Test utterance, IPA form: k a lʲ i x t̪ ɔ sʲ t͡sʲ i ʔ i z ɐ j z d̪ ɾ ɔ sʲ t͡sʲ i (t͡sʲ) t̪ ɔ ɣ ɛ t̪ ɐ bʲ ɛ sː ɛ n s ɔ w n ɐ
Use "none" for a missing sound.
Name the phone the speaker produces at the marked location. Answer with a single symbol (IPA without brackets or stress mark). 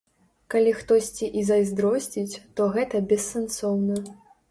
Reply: t͡sʲ